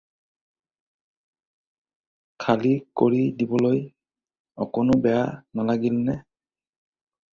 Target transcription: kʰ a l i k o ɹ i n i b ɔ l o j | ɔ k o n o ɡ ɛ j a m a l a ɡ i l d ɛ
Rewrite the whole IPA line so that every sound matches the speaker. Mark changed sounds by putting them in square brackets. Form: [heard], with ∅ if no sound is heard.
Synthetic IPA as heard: kʰ a l i k o ɹ i [d] i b ɔ l o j | ɔ k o n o [b] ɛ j a [n] a l a ɡ i l [n] ɛ